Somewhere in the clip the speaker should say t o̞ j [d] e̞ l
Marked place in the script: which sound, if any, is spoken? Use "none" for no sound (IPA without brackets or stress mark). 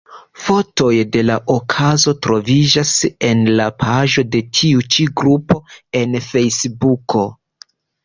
d